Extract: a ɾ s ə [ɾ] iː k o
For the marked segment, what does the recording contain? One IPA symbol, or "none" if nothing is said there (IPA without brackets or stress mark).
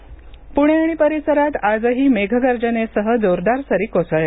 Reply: ɾ